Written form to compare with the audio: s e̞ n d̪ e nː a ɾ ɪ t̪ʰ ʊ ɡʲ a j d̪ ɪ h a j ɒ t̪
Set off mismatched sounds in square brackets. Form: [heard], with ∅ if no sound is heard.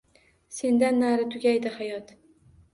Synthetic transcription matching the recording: s e̞ n d̪ [a] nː a ɾ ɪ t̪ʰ ʊ ɡʲ a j d̪ ɪ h a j ɒ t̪